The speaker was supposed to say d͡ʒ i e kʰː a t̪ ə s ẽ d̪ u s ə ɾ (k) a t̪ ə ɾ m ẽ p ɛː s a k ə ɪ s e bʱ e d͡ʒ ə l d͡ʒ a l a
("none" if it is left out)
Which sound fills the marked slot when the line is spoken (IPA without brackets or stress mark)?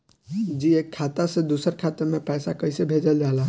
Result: kʰ